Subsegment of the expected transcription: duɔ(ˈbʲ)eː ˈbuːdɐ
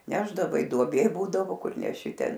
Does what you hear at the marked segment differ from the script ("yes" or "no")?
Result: no